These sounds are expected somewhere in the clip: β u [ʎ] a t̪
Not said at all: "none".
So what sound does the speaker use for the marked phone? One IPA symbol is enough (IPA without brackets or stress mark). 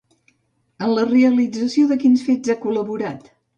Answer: ɾ